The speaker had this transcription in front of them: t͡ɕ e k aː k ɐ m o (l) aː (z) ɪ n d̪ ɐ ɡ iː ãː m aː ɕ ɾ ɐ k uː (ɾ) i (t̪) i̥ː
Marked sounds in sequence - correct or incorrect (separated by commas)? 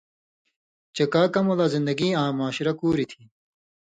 correct, correct, correct, incorrect